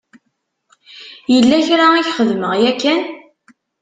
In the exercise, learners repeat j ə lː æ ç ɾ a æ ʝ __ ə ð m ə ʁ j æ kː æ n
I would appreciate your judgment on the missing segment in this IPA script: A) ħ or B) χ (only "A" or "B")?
B